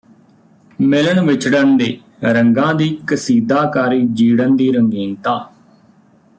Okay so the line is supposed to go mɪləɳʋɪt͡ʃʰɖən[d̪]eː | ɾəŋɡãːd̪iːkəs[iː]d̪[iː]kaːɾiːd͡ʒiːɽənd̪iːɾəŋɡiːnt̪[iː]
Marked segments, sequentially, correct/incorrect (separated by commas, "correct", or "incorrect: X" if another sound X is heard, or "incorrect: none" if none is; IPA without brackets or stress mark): correct, correct, incorrect: aː, incorrect: aː